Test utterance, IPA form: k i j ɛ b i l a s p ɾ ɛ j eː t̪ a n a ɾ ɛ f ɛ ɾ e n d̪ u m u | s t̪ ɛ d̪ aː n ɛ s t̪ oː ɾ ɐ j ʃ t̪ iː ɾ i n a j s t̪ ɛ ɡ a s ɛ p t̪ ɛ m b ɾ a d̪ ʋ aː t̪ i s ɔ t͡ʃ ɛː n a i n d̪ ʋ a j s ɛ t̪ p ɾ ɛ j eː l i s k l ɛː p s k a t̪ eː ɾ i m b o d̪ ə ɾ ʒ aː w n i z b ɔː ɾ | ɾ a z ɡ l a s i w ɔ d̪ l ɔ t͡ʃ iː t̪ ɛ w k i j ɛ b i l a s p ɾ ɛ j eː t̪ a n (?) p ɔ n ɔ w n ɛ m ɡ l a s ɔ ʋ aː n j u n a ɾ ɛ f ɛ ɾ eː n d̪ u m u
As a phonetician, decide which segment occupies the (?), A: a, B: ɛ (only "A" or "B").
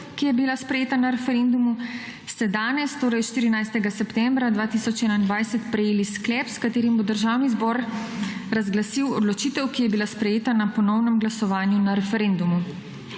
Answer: A